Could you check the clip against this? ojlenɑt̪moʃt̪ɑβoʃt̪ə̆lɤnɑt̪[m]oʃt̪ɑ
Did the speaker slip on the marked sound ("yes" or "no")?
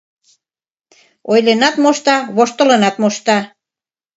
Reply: no